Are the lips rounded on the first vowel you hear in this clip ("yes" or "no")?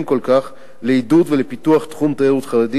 yes